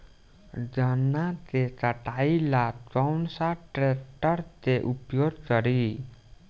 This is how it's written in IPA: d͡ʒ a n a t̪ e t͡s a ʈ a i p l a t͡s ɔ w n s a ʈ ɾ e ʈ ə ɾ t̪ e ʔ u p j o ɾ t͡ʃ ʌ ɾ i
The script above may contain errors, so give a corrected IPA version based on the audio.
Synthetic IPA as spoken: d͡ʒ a n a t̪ e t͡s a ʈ a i l a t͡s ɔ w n s a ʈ ɾ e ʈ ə ɾ t̪ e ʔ u p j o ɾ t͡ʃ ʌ ɾ i